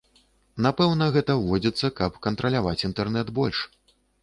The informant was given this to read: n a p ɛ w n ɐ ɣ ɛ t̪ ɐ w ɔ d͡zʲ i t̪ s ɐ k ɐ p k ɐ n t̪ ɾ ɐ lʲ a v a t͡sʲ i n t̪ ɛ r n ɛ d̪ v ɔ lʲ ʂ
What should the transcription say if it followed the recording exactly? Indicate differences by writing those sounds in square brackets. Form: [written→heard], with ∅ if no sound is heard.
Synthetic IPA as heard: n a p ɛ w n ɐ ɣ ɛ t̪ ɐ [w→v] ɔ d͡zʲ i t̪ [s→sː] ɐ k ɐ p k ɐ n t̪ ɾ ɐ lʲ a v a t͡sʲ i n t̪ ɛ r n ɛ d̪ [v→b] ɔ lʲ ʂ